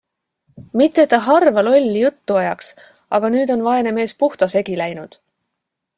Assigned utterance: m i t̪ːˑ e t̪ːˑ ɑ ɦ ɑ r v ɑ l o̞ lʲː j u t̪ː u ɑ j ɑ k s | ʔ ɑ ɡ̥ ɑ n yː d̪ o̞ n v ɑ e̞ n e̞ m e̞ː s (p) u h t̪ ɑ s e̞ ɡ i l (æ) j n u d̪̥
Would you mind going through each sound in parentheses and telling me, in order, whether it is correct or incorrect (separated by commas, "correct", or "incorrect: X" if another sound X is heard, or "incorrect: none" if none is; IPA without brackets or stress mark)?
correct, correct